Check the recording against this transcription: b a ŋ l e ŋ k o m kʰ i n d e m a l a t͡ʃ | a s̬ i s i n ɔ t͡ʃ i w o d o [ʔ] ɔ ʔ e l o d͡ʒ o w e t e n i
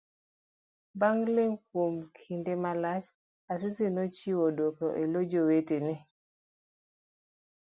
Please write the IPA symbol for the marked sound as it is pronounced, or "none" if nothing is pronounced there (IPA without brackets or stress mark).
k